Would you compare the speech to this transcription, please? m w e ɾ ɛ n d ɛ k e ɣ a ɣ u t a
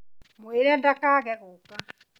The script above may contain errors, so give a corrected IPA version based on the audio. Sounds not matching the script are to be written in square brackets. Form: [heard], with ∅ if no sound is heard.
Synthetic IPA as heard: m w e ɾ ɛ n d [a] k [a] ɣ [ɛ] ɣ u [k] a

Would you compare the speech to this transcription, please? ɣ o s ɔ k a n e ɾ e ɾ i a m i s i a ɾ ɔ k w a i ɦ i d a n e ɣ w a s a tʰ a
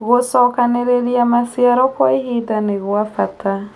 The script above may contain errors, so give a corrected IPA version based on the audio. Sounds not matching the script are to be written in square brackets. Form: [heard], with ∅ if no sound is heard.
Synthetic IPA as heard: ɣ o s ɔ k a n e ɾ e ɾ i a m [a] s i a ɾ ɔ k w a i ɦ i d a n e ɣ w a [f] a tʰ a

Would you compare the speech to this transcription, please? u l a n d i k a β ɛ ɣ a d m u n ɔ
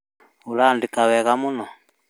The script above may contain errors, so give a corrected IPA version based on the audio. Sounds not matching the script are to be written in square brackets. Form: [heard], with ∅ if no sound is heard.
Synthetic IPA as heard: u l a n d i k a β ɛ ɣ a [∅] m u n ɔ

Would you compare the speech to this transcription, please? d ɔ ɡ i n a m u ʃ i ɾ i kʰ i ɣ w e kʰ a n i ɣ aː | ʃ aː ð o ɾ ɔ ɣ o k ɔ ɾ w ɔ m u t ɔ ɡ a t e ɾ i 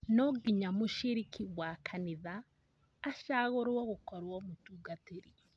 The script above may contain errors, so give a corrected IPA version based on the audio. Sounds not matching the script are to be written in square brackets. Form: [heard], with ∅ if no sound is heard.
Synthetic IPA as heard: [n] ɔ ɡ i [ɲ] a m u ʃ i ɾ i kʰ i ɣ w [a] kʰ a n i [ð] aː | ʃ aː [ɣ] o ɾ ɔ ɣ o k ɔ ɾ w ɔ m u t [u] ɡ a t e ɾ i

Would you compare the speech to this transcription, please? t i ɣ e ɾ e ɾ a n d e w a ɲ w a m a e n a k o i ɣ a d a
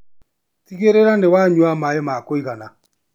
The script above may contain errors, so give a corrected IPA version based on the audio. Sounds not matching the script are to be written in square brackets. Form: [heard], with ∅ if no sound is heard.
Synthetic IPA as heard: t i ɣ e ɾ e ɾ a n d e w a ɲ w a m a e [m] a k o i ɣ a [n] a

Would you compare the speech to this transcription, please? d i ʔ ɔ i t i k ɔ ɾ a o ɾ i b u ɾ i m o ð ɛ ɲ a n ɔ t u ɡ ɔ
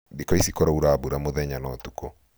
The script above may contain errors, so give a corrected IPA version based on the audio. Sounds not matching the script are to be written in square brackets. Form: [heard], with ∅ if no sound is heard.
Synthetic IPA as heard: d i [k] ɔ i [s] i k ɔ ɾ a [u] ɾ [a] b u ɾ [a] m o ð ɛ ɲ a n ɔ t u [k] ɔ

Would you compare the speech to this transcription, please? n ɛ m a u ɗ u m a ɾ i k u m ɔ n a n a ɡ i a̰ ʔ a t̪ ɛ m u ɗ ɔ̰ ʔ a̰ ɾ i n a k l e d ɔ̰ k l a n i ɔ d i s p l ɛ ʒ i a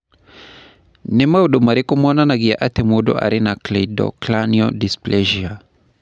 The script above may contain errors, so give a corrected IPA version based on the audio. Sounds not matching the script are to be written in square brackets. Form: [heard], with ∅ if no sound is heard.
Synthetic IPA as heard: n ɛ m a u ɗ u m a ɾ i k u m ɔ n a n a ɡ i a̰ ʔ a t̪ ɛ m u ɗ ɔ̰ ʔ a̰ ɾ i n a k l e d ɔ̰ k l a n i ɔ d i s p l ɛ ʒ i a

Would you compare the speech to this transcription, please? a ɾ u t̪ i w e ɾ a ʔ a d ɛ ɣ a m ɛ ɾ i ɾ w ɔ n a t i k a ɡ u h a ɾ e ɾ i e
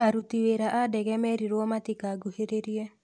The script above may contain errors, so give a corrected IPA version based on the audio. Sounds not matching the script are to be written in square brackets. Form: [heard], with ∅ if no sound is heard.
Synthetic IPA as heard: a ɾ u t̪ i w e ɾ a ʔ a d ɛ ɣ [ɛ] m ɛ ɾ i ɾ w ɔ [m] a t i k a ɡ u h [e] ɾ e ɾ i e

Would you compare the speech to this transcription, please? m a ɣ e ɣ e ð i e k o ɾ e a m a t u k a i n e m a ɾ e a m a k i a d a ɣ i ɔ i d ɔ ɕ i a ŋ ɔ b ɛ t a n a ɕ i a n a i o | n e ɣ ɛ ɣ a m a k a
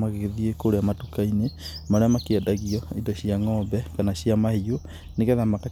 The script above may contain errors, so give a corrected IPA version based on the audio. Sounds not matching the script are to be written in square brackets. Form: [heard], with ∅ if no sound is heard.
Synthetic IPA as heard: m a ɣ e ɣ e ð i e k o ɾ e a m a t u k a i n e m a ɾ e a m a k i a d a ɣ i ɔ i d ɔ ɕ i a ŋ ɔ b ɛ [k] a n a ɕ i a [m] a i o | n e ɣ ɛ [ð] a m a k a

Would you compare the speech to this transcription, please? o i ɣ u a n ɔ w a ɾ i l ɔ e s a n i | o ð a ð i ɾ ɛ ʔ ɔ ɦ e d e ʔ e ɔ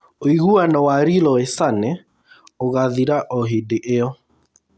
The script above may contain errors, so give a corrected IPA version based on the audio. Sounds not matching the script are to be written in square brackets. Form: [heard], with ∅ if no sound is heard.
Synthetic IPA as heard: o i ɣ u a n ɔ w a ɾ i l ɔ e s a n [ɛ] | o [ɣ] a ð i ɾ [a] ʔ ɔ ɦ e d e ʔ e ɔ

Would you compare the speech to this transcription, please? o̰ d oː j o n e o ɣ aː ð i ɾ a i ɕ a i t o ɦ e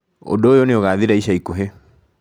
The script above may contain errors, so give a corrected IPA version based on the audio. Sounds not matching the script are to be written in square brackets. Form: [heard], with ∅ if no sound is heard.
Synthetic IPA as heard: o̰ d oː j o n e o ɣ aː ð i ɾ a i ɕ a i [k] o ɦ e

